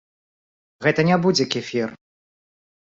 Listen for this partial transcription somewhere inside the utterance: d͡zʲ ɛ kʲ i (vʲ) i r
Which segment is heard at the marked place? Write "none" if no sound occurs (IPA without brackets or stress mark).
fʲ